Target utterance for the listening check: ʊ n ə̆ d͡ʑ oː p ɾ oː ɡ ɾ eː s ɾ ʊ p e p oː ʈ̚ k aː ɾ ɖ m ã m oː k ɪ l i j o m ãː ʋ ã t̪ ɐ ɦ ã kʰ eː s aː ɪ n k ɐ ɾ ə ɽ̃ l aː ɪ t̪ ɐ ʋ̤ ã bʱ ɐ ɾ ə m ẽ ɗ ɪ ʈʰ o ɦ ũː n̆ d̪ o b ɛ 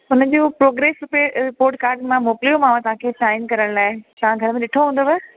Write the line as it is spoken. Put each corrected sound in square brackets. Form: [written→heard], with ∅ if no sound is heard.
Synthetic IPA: ʊ n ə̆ d͡ʑ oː p ɾ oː ɡ ɾ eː s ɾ ʊ p e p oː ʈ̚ k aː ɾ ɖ m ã m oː k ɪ l i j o m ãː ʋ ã t̪ ɐ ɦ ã kʰ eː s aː ɪ n k ɐ ɾ ə ɽ̃ l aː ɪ t̪ ɐ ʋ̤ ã [bʱ→ɡʱ] ɐ ɾ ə m ẽ ɗ ɪ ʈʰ o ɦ ũː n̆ d̪ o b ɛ